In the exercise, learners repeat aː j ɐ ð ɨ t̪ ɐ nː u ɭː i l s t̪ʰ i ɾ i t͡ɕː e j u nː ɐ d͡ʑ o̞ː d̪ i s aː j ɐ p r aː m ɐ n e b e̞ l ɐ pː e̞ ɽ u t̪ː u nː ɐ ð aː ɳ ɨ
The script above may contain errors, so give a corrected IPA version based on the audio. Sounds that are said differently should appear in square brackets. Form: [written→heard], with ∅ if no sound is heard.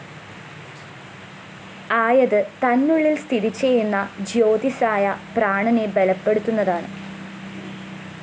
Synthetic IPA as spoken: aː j ɐ ð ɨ t̪ ɐ nː u ɭː i l s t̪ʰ i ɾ i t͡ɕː e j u nː ɐ d͡ʑ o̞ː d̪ i s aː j ɐ p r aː [m→ɳ] ɐ n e b e̞ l ɐ pː e̞ ɽ u t̪ː u nː ɐ ð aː ɳ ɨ